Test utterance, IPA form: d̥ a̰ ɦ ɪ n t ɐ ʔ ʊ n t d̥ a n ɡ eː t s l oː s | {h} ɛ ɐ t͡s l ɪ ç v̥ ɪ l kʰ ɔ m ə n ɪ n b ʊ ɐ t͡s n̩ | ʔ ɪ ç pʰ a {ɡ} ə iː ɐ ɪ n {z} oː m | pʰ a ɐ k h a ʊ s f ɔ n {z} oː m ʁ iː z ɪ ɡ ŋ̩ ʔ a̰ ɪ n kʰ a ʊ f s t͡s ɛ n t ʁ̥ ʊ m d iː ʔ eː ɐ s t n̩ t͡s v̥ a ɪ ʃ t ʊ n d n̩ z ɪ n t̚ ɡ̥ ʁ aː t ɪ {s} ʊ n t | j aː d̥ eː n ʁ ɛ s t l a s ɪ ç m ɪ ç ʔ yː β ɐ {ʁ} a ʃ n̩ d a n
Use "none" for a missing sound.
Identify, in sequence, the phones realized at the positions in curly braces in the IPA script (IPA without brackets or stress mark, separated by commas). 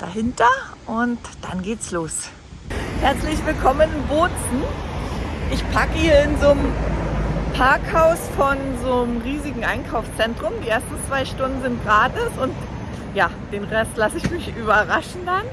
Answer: h, k, z, z, s, ʁ